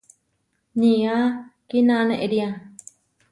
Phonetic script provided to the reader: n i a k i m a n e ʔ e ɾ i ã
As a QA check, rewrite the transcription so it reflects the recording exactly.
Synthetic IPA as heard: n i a k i n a n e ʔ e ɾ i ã